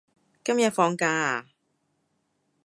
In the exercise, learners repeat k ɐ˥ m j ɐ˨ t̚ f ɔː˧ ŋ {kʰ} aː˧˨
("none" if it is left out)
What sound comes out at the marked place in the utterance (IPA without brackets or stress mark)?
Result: k